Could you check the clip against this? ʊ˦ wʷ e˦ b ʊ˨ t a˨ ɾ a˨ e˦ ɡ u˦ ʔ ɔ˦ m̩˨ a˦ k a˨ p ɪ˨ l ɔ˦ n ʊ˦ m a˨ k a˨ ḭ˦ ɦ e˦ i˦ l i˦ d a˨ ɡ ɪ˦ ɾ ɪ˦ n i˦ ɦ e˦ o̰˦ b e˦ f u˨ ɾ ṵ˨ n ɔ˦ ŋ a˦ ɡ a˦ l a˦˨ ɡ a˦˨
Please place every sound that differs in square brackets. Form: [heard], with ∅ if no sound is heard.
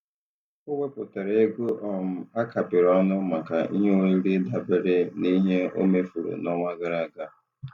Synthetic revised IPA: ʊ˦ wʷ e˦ [p] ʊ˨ t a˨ ɾ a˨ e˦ ɡ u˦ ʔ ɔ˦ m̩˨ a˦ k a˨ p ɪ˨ [ɾ] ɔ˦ n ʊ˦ m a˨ k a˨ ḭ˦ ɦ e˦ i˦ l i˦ d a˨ [b] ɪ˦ ɾ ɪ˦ n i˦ ɦ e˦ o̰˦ [m] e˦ f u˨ ɾ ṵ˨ n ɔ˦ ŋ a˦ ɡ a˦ [ɾ] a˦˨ ɡ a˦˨